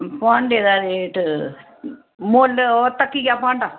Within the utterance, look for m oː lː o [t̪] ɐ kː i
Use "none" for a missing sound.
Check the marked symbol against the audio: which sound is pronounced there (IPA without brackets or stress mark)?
t̪